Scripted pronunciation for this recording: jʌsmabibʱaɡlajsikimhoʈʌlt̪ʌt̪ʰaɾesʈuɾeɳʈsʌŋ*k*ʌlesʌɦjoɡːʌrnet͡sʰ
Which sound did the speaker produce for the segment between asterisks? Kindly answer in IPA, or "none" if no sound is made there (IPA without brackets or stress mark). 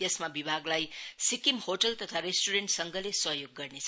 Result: ɡ